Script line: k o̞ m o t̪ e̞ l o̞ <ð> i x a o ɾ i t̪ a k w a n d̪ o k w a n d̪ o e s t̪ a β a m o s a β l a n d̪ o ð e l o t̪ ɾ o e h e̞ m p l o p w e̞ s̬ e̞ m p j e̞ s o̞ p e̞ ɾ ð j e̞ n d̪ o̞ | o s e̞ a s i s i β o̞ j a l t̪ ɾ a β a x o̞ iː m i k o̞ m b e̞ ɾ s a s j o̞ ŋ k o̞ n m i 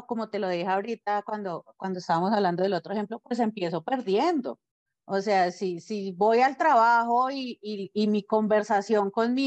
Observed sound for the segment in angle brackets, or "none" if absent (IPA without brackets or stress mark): ð